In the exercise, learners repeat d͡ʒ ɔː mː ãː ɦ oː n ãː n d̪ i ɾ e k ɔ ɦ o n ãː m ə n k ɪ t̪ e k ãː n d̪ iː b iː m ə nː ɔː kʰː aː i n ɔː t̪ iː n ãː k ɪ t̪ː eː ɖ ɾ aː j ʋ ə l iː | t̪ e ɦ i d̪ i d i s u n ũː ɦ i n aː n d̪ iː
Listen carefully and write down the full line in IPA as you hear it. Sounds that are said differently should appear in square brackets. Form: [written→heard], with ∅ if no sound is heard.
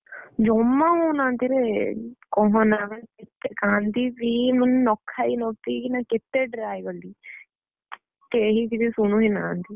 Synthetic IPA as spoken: d͡ʒ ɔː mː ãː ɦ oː n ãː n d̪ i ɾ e k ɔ ɦ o n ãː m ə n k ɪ t̪ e k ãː n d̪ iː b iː m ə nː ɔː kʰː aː i n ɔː t̪ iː n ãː k ɪ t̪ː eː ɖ ɾ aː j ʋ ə l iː | t̪ e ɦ i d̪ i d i s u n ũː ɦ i n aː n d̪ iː

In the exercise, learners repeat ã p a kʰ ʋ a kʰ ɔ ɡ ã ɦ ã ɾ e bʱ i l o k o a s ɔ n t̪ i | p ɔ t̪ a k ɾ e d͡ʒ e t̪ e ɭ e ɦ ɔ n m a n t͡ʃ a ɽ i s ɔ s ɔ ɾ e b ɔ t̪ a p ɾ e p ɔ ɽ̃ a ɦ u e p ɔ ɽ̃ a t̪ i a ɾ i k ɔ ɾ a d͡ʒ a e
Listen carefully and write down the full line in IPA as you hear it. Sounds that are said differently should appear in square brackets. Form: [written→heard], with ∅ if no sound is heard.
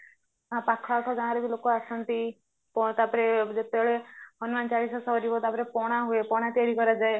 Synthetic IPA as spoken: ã p a kʰ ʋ a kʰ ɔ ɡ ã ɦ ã ɾ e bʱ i l o k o a s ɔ n t̪ i | p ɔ t̪ a [k→p] ɾ e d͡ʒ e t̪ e ɭ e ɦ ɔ n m a n t͡ʃ a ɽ i s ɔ s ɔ ɾ [e→i] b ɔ t̪ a p ɾ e p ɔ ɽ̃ a ɦ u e p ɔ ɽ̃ a t̪ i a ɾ i k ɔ ɾ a d͡ʒ a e

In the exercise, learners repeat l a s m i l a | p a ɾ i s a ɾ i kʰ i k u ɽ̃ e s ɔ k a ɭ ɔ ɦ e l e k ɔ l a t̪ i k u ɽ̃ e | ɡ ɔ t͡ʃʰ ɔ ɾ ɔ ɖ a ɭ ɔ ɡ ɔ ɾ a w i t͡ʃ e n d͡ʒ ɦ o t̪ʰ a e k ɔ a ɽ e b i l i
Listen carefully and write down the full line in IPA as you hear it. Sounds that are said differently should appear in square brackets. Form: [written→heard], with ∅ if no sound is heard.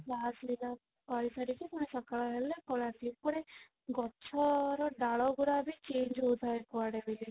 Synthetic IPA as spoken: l a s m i l a | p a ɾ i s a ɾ i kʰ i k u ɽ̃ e s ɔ k a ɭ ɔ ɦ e l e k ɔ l a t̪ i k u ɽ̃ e | ɡ ɔ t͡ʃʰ ɔ ɾ ɔ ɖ a ɭ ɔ ɡ [ɔ→u] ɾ a [w→b] i t͡ʃ e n d͡ʒ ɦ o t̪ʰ a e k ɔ a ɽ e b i l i

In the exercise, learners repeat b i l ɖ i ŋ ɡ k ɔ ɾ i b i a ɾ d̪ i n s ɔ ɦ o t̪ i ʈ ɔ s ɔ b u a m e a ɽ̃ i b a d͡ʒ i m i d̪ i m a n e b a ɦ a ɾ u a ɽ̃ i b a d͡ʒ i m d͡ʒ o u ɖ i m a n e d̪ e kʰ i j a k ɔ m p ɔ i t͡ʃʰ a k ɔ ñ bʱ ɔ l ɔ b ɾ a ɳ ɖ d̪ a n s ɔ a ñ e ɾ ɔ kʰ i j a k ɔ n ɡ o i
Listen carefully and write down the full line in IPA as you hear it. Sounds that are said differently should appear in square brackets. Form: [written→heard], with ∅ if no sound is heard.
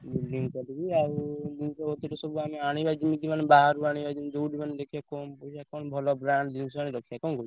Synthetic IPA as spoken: b i l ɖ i ŋ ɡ k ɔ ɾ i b i a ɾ d̪ i n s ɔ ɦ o t̪ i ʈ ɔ s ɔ b u a m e a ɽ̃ i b a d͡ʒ i m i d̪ i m a n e b a ɦ a ɾ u a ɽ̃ i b a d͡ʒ i m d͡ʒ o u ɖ i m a n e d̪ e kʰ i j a k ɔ m p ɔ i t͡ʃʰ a k ɔ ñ bʱ ɔ l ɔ b ɾ a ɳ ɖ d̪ [a→i] n s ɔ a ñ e ɾ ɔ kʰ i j a k ɔ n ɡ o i

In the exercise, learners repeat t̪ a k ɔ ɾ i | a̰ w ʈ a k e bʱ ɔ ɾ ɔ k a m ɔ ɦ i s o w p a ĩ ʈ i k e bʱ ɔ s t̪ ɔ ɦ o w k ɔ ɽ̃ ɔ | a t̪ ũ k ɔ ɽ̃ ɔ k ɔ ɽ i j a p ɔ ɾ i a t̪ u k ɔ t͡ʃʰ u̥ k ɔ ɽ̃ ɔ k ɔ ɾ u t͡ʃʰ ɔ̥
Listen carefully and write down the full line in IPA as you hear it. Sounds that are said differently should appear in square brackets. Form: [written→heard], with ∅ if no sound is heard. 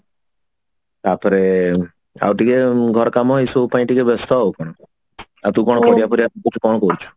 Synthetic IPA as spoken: t̪ a [k→p] ɔ ɾ [i→e] | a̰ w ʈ [a→i] k e [bʱ→ɡʱ] ɔ ɾ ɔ k a m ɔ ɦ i s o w p a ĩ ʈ i k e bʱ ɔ s t̪ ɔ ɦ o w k ɔ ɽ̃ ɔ | a t̪ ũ k ɔ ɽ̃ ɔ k ɔ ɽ i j a p ɔ ɾ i a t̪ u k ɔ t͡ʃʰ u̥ k ɔ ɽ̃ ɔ k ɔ ɾ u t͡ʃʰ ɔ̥

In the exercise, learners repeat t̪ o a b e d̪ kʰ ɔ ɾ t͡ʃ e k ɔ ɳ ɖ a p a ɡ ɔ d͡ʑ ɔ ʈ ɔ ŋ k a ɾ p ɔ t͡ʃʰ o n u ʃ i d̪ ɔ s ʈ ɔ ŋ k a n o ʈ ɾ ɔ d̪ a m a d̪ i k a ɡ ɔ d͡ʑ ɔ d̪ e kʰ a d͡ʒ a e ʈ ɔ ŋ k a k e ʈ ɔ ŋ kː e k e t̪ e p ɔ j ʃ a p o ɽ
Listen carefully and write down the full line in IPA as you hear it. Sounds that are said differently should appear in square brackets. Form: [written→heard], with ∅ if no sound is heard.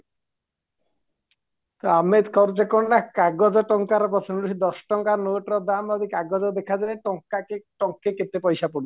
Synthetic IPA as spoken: t̪ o a [b→m] e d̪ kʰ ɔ ɾ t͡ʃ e k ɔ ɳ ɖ a [p→k] a ɡ ɔ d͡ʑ ɔ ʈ ɔ ŋ k a ɾ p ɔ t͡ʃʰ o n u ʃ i d̪ ɔ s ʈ ɔ ŋ k a n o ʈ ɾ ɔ d̪ a m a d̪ i k a ɡ ɔ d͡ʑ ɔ d̪ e kʰ a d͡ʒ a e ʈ ɔ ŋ k a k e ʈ ɔ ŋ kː e k e t̪ e p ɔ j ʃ a p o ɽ

